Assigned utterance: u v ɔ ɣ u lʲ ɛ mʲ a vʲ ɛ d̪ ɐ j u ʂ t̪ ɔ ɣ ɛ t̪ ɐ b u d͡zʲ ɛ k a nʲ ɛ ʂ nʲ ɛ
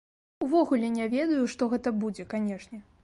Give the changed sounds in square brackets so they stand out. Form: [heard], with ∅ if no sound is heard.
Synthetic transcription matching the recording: u v ɔ ɣ u lʲ ɛ [nʲ] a vʲ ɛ d̪ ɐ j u ʂ t̪ ɔ ɣ ɛ t̪ ɐ b u d͡zʲ ɛ k a nʲ ɛ ʂ nʲ ɛ